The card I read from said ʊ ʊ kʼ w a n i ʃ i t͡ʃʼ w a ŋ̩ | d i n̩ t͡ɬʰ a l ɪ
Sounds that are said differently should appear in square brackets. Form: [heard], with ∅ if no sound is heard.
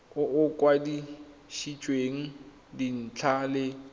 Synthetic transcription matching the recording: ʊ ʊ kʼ w a [d] i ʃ i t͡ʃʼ w [e] ŋ̩ | d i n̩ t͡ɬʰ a l ɪ

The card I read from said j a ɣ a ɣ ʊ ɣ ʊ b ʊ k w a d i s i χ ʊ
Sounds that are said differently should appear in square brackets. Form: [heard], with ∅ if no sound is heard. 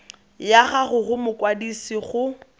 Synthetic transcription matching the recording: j a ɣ a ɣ ʊ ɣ ʊ [m] ʊ k w a d i s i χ ʊ

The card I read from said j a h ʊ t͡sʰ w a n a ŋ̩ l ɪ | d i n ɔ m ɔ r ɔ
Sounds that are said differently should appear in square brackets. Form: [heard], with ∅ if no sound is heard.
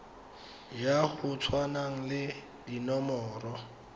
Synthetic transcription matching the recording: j a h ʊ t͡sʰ w a n a ŋ̩ l ɪ | d i n ɔ m [ɔː] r ɔ

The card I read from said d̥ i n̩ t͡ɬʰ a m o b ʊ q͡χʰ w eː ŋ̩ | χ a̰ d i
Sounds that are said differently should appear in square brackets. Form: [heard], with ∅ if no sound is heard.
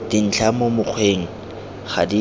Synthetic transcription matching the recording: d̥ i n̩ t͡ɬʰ a m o [m] ʊ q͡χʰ w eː ŋ̩ | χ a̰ d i

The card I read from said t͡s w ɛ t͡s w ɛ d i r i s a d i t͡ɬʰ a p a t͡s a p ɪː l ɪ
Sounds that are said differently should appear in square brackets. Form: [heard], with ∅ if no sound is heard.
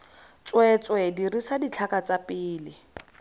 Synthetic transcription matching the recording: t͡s w ɛ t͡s w ɛ d i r i s a d i t͡ɬʰ a [k] a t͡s a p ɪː l ɪ

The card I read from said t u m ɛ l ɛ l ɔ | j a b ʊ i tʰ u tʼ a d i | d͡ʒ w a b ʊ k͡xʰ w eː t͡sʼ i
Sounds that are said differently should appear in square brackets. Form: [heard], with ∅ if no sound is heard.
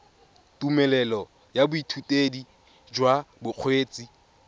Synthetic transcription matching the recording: t u m ɛ l ɛ l ɔ | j a b ʊ i tʰ u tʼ [e] d i | d͡ʒ w a b ʊ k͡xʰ w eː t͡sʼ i

